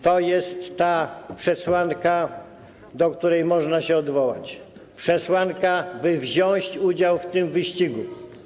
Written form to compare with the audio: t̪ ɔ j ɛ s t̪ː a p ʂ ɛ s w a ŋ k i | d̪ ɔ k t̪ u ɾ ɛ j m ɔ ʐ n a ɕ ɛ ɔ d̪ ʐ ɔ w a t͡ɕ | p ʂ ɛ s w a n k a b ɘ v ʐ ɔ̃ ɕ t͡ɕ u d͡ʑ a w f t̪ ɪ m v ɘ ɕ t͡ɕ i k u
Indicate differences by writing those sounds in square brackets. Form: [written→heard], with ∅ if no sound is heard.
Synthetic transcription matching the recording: t̪ ɔ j ɛ s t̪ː a p ʂ ɛ s w a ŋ k [i→a] | d̪ ɔ k t̪ u ɾ ɛ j m ɔ ʐ n a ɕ ɛ ɔ d̪ [ʐ→v] ɔ w a t͡ɕ | p ʂ ɛ s w a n k a b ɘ v [ʐ→ʑ] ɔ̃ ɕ t͡ɕ u d͡ʑ a w f t̪ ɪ m v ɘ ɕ t͡ɕ i [k→ɡ] u

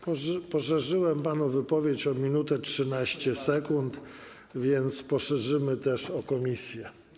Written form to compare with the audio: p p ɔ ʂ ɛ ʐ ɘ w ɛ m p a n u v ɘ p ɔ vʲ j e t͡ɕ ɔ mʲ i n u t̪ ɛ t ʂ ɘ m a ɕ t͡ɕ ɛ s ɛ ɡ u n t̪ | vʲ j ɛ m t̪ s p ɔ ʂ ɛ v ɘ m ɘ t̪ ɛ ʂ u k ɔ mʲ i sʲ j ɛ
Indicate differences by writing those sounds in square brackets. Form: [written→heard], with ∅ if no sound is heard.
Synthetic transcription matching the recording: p p ɔ ʂ ɛ ʐ ɘ w ɛ m p a n u v ɘ p ɔ vʲ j e t͡ɕ ɔ mʲ i n u t̪ ɛ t ʂ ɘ [m→n] a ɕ t͡ɕ ɛ s ɛ [ɡ→k] u n t̪ | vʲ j ɛ [m→n] t̪ s p ɔ ʂ ɛ [v→ʐ] ɘ m ɘ t̪ ɛ ʂ [u→ɔ] k ɔ mʲ i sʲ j ɛ

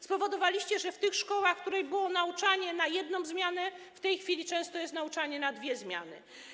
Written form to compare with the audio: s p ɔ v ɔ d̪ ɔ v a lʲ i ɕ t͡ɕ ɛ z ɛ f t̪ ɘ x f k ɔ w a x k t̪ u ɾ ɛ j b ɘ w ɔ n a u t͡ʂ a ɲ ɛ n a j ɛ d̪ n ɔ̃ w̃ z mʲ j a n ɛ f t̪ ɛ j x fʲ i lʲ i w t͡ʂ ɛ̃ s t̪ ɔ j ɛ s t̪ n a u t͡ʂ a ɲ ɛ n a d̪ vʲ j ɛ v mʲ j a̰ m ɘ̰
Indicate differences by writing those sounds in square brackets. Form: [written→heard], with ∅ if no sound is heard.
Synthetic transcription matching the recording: s p ɔ v ɔ d̪ ɔ v a lʲ i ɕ t͡ɕ ɛ [z→ʐ] ɛ f t̪ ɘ x [f→ʂ] k ɔ w a x k t̪ u ɾ ɛ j b ɘ w ɔ n a u t͡ʂ a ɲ ɛ n a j ɛ d̪ n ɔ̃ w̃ z mʲ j a n ɛ f t̪ ɛ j x fʲ i lʲ i [w→∅] t͡ʂ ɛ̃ s t̪ ɔ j ɛ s t̪ n a u t͡ʂ a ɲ ɛ n a d̪ vʲ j ɛ [v→z] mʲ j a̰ [m→n] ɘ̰

